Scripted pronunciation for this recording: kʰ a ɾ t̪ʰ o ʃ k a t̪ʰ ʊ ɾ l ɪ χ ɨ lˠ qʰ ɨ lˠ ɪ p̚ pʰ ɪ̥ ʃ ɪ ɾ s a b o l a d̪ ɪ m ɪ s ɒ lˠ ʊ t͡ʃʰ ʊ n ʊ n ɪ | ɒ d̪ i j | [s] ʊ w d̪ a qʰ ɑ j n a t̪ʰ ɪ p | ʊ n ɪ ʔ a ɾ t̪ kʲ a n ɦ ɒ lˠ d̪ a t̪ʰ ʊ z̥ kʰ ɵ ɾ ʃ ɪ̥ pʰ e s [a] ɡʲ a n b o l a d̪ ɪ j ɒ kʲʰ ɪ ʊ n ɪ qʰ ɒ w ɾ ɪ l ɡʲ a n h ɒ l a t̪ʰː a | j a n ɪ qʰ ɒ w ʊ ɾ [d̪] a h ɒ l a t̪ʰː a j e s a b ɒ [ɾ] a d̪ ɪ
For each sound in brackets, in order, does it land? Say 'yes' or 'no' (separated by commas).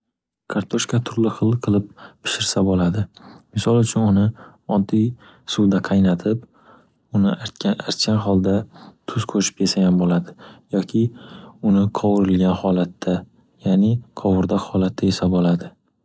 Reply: yes, yes, yes, no